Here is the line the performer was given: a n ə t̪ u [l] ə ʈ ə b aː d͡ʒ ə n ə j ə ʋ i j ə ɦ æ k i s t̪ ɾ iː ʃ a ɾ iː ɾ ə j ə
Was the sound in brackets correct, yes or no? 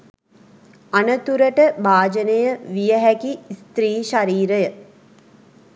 no